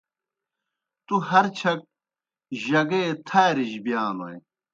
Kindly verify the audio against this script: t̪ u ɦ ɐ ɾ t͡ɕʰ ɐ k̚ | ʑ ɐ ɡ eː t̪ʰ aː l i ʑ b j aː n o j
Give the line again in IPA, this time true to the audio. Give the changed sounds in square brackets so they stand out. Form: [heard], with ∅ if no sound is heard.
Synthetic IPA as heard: t̪ u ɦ ɐ ɾ t͡ɕʰ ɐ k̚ | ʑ ɐ ɡ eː t̪ʰ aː [ɾ] i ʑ b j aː n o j